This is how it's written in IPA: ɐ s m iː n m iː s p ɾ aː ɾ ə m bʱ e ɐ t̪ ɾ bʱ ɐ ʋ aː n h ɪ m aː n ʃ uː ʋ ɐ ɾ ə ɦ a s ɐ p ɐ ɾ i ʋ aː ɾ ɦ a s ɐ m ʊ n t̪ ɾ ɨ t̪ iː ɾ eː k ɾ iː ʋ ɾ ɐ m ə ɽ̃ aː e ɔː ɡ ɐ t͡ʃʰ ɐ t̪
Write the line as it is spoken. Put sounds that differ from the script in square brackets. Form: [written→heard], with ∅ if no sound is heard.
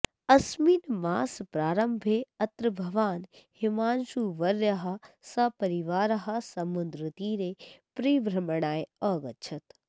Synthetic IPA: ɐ s m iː n m [iː→aː] s p ɾ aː ɾ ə m bʱ e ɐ t̪ ɾ bʱ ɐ ʋ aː n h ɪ m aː n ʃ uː ʋ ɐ ɾ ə ɦ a s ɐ p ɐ ɾ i ʋ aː ɾ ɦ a s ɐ m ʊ n [t̪→d̪] ɾ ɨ t̪ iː ɾ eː [k→p] ɾ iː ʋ ɾ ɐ m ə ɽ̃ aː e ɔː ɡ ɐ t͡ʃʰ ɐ t̪